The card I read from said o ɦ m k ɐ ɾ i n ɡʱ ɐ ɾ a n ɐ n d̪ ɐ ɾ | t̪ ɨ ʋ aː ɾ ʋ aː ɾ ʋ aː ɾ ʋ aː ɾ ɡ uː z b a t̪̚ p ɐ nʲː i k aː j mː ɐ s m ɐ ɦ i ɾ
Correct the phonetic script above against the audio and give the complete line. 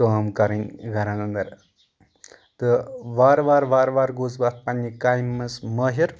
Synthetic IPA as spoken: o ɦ m k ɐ ɾ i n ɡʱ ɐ ɾ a n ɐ n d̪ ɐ ɾ | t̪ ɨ ʋ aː ɾ ʋ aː ɾ ʋ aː ɾ ʋ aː ɾ ɡ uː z b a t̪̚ p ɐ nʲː i k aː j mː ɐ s m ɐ ɦ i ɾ